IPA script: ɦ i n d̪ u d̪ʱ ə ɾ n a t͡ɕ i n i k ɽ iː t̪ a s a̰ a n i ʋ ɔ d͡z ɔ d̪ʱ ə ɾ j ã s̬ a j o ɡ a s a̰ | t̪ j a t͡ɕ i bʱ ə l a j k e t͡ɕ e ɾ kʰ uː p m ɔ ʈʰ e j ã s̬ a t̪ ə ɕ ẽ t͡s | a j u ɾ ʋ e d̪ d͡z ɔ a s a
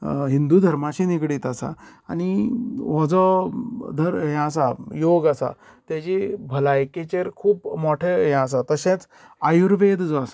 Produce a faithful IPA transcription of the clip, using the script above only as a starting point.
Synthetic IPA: ɦ i n d̪ u d̪ʱ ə ɾ m a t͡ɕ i n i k ɽ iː t̪ a s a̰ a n i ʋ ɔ d͡z ɔ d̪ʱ ə ɾ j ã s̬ a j o ɡ a s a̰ | t̪ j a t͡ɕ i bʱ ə l a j k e t͡ɕ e ɾ kʰ uː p m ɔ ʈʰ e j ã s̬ a t̪ ə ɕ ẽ t͡s | a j u ɾ ʋ e d̪ d͡z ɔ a s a